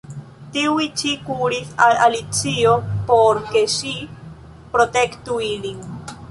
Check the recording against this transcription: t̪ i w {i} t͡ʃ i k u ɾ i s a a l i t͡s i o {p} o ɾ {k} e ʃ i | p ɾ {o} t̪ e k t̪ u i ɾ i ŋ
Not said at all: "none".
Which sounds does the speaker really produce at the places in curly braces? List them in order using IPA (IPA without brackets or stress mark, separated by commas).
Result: i, p, k, o